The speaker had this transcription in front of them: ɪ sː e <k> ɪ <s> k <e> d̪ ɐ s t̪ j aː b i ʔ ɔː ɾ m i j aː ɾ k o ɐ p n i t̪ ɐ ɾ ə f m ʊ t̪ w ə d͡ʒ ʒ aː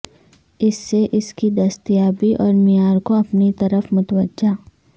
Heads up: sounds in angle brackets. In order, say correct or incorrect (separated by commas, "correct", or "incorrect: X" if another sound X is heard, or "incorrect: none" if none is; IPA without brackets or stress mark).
incorrect: ʔ, correct, incorrect: i